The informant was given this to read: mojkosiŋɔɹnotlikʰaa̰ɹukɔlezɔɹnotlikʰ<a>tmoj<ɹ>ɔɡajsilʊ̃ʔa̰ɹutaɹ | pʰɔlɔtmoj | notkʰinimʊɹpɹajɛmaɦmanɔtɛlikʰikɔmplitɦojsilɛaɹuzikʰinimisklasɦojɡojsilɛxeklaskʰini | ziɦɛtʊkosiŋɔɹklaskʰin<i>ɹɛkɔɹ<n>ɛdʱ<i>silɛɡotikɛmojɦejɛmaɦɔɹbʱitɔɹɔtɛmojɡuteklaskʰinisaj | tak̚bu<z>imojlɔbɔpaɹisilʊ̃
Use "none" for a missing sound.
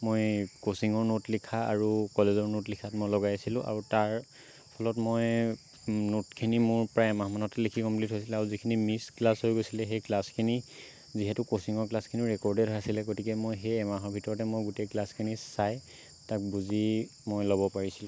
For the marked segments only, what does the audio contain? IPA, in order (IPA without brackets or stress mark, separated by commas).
a, l, i, d, a, z